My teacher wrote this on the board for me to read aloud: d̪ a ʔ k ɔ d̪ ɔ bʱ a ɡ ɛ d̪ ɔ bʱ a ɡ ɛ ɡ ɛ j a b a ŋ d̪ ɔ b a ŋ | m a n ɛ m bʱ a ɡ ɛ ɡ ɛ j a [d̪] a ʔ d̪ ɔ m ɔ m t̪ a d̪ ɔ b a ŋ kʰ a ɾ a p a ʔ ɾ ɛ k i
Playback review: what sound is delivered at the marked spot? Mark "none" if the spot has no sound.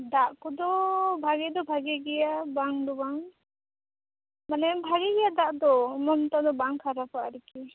d̪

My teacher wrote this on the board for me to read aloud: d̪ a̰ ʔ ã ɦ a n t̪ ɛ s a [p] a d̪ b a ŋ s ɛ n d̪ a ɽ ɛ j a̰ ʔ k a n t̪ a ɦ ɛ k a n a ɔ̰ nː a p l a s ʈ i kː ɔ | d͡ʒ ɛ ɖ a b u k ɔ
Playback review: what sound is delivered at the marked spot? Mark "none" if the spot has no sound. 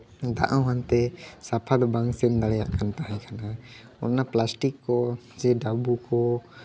pʰ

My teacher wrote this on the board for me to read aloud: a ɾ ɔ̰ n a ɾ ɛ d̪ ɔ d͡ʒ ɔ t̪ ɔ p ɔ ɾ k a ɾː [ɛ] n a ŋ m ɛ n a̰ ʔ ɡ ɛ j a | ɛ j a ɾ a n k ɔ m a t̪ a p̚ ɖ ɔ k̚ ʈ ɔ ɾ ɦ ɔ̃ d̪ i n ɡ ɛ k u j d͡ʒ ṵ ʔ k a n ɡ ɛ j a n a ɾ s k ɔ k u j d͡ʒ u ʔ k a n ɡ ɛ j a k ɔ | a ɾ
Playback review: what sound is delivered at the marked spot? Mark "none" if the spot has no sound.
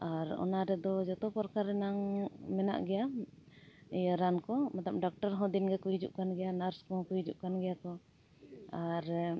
ɛ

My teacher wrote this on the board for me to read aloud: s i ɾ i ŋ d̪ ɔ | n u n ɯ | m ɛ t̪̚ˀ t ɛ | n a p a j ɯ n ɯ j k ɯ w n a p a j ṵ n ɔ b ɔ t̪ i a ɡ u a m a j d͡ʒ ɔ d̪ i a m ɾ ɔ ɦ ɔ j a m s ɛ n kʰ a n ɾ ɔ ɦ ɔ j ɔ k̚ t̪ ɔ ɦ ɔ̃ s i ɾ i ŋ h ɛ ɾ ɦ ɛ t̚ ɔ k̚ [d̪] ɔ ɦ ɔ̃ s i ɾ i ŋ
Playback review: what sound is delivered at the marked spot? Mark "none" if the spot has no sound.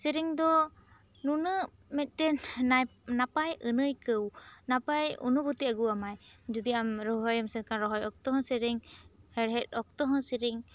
t̪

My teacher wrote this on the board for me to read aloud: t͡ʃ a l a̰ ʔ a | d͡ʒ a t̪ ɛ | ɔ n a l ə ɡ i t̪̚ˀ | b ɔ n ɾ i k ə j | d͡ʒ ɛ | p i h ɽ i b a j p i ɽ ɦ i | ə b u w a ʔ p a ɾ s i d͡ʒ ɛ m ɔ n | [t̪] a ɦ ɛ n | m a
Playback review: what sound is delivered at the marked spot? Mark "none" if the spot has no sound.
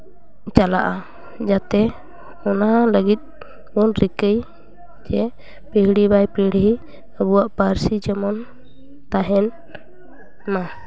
t̪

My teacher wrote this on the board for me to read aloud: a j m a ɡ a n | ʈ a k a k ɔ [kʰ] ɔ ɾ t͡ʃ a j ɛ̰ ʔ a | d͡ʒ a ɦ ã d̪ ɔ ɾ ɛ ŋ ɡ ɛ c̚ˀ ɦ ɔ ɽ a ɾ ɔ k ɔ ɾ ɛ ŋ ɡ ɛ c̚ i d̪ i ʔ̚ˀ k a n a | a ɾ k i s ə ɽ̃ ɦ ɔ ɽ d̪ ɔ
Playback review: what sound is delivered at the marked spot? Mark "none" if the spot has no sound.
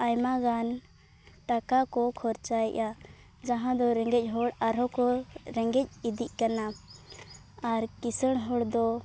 kʰ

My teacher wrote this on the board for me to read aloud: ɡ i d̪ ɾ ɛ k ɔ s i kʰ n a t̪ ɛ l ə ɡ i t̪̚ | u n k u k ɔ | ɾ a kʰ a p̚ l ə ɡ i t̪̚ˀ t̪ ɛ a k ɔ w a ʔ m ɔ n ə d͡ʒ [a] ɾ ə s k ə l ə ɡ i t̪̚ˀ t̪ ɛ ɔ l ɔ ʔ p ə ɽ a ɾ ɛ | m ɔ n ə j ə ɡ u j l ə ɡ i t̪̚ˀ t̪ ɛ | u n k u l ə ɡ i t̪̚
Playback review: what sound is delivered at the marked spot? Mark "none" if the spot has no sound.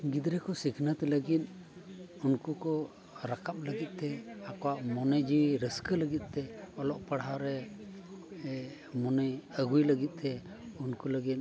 i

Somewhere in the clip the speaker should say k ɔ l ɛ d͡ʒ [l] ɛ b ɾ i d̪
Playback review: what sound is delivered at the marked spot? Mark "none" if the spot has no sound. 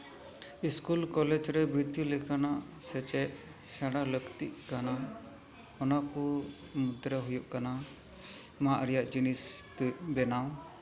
ɾ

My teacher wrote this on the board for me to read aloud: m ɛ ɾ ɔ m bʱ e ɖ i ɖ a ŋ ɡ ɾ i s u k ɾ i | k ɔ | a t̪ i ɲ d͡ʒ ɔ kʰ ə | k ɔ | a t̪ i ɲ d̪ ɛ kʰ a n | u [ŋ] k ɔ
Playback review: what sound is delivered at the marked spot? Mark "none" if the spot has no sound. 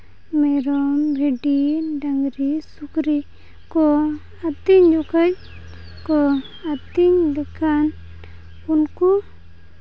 n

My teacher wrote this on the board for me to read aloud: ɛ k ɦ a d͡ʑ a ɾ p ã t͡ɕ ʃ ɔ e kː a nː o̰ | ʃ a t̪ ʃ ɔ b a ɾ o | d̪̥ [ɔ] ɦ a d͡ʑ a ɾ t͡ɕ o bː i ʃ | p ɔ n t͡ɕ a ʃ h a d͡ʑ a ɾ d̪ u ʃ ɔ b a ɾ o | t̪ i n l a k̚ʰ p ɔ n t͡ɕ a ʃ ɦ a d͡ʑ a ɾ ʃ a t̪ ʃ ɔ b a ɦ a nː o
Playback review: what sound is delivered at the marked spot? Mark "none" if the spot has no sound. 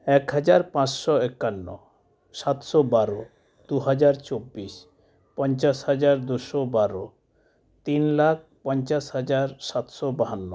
u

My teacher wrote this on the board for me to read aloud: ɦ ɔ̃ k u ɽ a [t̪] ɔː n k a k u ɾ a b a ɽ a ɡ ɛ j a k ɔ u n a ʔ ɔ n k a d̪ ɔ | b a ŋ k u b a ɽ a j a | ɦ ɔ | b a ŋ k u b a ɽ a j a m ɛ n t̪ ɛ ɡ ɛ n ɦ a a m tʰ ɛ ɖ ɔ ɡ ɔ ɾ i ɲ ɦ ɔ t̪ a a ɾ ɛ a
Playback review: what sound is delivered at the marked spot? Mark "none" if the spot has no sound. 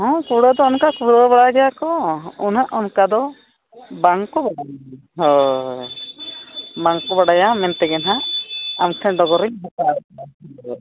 d̪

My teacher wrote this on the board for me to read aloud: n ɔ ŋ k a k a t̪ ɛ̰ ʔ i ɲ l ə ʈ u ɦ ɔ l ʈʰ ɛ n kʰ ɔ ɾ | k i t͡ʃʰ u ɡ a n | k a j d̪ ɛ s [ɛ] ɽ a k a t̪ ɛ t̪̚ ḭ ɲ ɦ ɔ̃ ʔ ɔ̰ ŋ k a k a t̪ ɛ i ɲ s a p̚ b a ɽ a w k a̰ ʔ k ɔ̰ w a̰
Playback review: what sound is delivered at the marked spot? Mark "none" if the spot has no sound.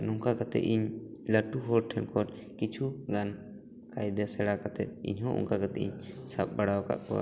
ɛ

